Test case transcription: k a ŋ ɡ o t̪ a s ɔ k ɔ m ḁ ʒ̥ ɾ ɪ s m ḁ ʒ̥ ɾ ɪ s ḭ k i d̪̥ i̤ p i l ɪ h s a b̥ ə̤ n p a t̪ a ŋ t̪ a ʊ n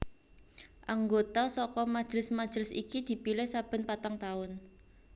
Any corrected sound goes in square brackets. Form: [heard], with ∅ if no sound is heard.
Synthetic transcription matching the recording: [ʔ] a ŋ ɡ o t̪ a s ɔ k ɔ m ḁ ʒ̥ ɾ ɪ s m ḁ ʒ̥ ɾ ɪ s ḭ k i d̪̥ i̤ p i l ɪ h s a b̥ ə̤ n p a t̪ a ŋ t̪ a ʊ n